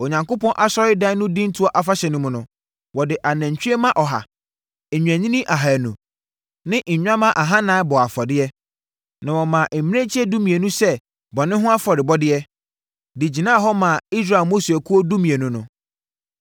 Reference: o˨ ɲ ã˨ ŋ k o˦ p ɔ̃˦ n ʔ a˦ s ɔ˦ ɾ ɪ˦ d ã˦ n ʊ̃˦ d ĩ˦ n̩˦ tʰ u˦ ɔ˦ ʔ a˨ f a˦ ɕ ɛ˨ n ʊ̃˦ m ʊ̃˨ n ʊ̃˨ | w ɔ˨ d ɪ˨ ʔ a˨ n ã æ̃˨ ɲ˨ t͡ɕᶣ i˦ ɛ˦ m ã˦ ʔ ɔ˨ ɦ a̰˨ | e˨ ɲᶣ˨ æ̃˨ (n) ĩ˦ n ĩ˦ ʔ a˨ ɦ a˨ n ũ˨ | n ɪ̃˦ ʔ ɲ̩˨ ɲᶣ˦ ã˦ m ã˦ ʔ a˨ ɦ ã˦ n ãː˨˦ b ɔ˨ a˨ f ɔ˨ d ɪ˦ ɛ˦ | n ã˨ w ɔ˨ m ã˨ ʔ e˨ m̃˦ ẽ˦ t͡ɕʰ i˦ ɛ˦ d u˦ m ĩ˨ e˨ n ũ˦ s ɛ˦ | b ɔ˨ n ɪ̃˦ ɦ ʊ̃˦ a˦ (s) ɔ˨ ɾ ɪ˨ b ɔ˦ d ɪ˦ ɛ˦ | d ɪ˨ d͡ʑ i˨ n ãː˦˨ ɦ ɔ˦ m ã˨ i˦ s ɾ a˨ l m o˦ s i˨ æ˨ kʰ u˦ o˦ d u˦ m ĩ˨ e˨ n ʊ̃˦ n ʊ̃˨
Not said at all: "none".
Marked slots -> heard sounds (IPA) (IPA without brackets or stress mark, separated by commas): ɲ, f